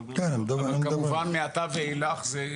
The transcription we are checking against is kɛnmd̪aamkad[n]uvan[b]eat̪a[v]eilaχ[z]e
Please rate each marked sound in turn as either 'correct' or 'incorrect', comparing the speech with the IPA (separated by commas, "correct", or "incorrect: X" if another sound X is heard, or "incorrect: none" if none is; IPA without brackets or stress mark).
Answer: incorrect: m, incorrect: m, correct, correct